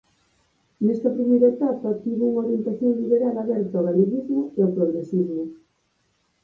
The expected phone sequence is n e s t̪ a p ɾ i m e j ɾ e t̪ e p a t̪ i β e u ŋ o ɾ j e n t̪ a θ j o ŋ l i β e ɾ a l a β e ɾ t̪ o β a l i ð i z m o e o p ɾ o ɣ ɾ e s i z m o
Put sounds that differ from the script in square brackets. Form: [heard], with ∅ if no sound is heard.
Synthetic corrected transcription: n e s t̪ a p ɾ i m e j ɾ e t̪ [a] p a t̪ i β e u ŋ o ɾ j e n t̪ a θ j o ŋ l i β e ɾ a l a β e ɾ t̪ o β a l i ð i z m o e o p ɾ o ɣ ɾ e s i z m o

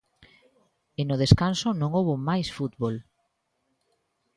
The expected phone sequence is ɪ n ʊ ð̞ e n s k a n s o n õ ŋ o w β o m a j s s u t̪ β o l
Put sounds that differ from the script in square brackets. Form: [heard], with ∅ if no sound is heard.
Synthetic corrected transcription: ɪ n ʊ ð̞ e [∅] s k a n s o n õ ŋ o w β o m a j s [f] u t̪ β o l

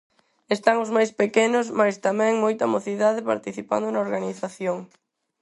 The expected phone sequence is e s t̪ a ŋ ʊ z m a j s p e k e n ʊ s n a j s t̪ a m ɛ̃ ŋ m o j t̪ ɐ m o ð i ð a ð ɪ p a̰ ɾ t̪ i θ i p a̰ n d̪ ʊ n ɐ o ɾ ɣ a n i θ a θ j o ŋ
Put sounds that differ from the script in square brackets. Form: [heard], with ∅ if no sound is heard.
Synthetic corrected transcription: e s t̪ a ŋ ʊ z m a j s p e k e n ʊ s [m] a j s t̪ a m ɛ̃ ŋ m o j t̪ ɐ m o [θ] i ð a ð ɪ p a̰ ɾ t̪ i θ i p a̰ n d̪ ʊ n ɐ o ɾ ɣ a n i θ a θ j o ŋ

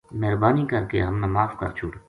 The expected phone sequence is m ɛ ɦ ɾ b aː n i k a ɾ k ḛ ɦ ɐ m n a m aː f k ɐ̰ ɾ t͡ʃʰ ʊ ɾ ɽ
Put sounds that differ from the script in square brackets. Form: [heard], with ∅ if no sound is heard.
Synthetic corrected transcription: m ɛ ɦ ɾ b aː n i k [ɐ] ɾ k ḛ ɦ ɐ m n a m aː f k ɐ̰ ɾ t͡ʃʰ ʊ [∅] ɽ

